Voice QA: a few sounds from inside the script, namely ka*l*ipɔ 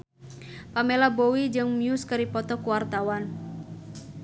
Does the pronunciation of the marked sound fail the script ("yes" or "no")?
yes